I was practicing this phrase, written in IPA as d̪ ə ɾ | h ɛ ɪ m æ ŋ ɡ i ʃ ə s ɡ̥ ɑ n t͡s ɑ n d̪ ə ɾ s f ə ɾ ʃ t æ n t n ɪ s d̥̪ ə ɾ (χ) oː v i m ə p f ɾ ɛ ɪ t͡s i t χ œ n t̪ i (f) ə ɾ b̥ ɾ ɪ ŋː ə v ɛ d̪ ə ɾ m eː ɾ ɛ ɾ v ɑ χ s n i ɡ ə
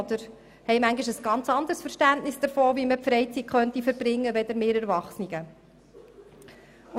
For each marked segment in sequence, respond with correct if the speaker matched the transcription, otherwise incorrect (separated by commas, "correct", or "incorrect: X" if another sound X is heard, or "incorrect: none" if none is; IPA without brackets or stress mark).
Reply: incorrect: f, correct